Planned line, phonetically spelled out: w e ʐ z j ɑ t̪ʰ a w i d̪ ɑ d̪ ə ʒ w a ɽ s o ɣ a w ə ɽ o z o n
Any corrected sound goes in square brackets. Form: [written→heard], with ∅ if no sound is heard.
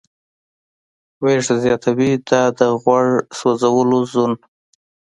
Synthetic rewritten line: w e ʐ z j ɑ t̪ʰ a w i d̪ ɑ d̪ ə [ʒ→ɣ] w a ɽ s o [ɣ→z] a w ə [ɽ→l] o z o n

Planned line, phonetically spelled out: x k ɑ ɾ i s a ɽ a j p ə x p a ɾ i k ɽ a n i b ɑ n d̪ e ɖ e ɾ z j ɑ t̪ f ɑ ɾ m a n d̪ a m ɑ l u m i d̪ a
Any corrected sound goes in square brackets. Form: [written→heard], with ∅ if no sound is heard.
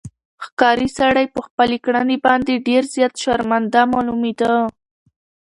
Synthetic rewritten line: x k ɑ ɾ i s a ɽ a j p ə x p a [ɾ→l] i k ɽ a n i b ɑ n d̪ e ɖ e ɾ z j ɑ t̪ [f→ʃ] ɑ ɾ m a n d̪ a m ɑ l u m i d̪ a

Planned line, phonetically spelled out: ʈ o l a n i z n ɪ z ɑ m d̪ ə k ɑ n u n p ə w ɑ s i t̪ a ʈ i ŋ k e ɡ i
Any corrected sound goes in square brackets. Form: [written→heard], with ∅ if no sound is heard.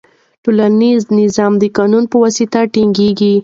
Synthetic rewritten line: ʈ o l a n i z n ɪ z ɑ m d̪ ə k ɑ n u n p ə w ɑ s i t̪ a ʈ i ŋ [k→ɡ] e ɡ i

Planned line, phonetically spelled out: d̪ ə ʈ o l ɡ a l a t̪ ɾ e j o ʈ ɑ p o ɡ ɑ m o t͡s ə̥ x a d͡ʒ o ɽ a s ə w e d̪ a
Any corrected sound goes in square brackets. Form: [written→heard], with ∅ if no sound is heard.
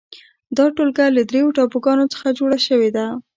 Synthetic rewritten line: d̪ [ə→ɑ] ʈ o l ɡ a l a [t̪→d̪] ɾ e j o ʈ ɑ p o ɡ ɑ [m→n] o t͡s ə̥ x a d͡ʒ o ɽ a [s→ʃ] ə w e d̪ a

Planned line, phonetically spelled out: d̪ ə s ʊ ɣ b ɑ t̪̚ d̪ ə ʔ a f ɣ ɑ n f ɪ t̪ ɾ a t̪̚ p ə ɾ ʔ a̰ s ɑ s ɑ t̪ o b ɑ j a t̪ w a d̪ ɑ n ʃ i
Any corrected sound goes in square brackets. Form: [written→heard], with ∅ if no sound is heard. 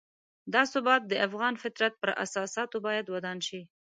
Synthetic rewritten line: d̪ [ə→ɑ] s ʊ [ɣ→∅] b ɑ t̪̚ d̪ ə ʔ a f ɣ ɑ n f ɪ t̪ ɾ a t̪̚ p ə ɾ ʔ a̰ s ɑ s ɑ t̪ o b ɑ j a [t̪→d̪] w a d̪ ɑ n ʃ i

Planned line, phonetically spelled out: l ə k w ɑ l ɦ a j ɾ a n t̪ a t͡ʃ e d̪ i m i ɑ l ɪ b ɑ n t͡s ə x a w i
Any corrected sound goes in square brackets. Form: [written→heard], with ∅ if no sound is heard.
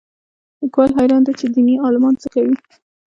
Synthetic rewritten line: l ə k w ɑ l ɦ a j ɾ [a→ɑ] n [t̪→d̪] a t͡ʃ e d̪ i [m→n] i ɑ l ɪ [b→m] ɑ n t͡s ə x a w i

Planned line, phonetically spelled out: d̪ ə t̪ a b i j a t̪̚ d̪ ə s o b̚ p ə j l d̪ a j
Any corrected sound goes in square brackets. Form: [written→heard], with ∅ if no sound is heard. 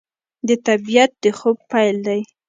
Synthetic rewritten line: d̪ ə t̪ a b i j a t̪̚ d̪ ə [s→x] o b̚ p [ə→a] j l d̪ a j

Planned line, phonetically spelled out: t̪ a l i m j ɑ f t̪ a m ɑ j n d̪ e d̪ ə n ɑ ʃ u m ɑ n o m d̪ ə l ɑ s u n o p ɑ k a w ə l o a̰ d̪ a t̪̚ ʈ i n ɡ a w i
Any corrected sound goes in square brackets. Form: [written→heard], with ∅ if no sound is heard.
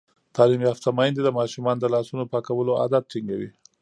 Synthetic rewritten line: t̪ [a→ɑ] l i m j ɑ f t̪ a m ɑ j n d̪ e d̪ ə [n→m] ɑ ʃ u m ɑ n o [m→∅] d̪ ə l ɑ s u n o p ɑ k a w ə l o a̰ d̪ a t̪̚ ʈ i [n→ŋ] ɡ a w i

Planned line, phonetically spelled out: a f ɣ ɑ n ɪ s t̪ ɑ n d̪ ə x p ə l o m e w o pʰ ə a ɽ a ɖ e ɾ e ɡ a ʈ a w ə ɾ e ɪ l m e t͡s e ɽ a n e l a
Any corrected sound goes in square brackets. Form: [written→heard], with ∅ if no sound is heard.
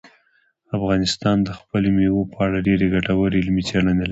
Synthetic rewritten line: a f ɣ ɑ n ɪ s t̪ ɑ n d̪ ə x p ə l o m e w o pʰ ə a ɽ a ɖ e ɾ e ɡ a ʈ a w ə ɾ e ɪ l m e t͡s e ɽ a n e l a

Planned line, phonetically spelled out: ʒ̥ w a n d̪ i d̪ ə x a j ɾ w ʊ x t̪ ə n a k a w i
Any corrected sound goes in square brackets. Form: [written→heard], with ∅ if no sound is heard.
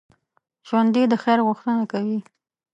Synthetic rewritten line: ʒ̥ w a n d̪ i d̪ ə x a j ɾ [w→ɣ] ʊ x t̪ ə n a k a w i

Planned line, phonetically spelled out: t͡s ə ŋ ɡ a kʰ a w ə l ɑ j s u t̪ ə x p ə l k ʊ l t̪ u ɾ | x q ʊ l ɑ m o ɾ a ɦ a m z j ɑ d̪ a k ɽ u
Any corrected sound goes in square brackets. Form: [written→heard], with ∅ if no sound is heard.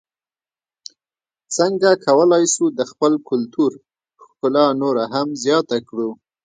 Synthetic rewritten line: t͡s ə ŋ ɡ a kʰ a w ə l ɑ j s u [t̪→d̪] ə x p ə l k ʊ l t̪ u ɾ | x [q→k] ʊ l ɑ [m→n] o ɾ a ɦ a m z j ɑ [d̪→t̪] a k ɽ u

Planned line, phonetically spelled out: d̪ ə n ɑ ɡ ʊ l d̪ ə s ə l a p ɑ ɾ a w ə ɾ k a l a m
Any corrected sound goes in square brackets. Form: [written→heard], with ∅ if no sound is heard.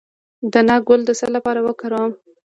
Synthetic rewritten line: d̪ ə n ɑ ɡ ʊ l d̪ ə s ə l a p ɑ ɾ a w ə [ɾ→∅] k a [l→ɾ] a m

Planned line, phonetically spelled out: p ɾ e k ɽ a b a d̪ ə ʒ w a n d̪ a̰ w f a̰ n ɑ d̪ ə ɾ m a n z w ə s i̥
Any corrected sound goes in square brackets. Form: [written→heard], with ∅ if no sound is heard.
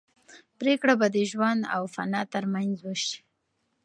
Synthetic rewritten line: p ɾ e k ɽ a b a d̪ ə ʒ w a n d̪ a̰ w f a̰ n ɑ [d̪→t̪] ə ɾ m a n z w ə [s→ʃ] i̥

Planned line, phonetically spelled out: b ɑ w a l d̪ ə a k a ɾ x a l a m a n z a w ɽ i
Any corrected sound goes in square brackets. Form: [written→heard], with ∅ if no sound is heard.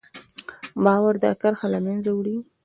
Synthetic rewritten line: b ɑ w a [l→ɾ] d̪ ə a k a ɾ x a l a m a n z a w ɽ i

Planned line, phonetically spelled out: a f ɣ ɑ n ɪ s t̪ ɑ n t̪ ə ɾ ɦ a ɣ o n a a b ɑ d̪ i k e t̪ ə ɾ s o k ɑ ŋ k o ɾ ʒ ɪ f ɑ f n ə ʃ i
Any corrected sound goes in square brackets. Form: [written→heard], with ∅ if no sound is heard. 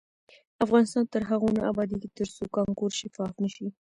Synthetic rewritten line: a f ɣ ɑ n ɪ s t̪ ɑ n t̪ ə ɾ ɦ a ɣ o n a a b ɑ d̪ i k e t̪ ə ɾ s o k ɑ ŋ k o ɾ [ʒ→ʃ] ɪ f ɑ f n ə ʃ i

